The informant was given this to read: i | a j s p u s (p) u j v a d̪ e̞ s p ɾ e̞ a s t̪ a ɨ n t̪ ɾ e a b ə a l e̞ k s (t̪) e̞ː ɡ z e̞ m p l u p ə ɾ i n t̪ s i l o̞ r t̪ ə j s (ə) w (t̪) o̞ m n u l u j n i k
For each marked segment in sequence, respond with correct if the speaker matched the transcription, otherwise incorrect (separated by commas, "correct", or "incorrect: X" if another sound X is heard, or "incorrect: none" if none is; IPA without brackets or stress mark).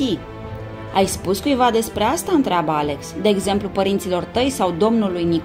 incorrect: k, incorrect: d̪, incorrect: a, incorrect: d̪